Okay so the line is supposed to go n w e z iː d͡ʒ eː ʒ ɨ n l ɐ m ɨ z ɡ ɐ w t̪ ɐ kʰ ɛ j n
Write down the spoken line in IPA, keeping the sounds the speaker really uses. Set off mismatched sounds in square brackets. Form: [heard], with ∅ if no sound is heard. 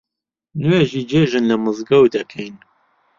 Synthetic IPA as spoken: n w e [ʒ] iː d͡ʒ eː ʒ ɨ n l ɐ m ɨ z ɡ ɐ w [d̪] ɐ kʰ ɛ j n